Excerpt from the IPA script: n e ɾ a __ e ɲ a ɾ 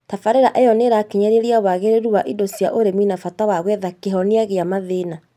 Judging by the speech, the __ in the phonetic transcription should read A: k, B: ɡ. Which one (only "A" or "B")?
A